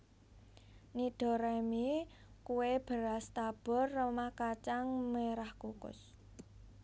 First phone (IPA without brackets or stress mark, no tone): n